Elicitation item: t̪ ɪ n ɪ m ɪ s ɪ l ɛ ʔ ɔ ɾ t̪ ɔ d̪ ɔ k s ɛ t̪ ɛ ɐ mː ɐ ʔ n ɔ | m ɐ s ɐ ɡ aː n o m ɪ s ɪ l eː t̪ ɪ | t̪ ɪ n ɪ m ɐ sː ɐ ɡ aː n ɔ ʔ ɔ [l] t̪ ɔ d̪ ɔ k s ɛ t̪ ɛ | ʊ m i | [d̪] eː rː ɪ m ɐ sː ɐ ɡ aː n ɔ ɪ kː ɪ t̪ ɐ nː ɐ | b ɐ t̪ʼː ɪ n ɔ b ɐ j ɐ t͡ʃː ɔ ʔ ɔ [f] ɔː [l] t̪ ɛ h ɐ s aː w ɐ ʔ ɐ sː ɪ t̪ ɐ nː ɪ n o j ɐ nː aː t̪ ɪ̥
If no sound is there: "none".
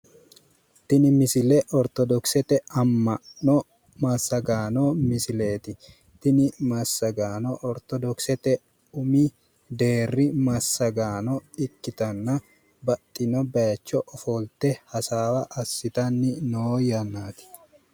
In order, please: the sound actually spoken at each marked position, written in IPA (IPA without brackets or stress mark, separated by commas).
ɾ, d̪, f, l